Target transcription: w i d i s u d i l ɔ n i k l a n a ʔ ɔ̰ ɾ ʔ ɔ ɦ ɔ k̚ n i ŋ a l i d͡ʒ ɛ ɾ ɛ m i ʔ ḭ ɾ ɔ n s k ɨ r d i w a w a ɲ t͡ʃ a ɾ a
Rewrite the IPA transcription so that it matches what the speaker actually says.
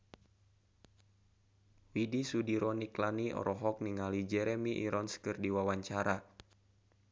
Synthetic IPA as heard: w i d i s u d i ɾ ɔ n i k l a n i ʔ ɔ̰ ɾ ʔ ɔ ɦ ɔ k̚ n i ŋ a l i d͡ʒ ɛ ɾ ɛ m i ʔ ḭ ɾ ɔ n s k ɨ r d i w a w a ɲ t͡ʃ a ɾ a